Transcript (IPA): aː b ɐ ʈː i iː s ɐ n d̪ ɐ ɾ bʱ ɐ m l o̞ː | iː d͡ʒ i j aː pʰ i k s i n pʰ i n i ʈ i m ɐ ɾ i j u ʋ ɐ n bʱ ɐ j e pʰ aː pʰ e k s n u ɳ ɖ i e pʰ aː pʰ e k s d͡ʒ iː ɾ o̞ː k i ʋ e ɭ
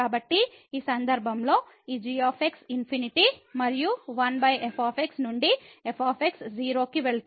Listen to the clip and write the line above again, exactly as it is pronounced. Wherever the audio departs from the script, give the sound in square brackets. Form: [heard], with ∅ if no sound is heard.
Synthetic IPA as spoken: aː b ɐ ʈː i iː s ɐ n d̪ ɐ ɾ bʱ ɐ m l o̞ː | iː d͡ʒ i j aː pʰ [e] k s i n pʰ i n i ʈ i m ɐ ɾ i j u ʋ ɐ n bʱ ɐ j e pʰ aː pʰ e k s n u ɳ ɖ i e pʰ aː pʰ e k s d͡ʒ iː ɾ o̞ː k i ʋ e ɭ